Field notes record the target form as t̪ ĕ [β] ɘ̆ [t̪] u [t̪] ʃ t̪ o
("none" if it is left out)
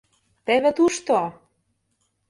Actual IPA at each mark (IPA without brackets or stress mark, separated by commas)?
β, t̪, none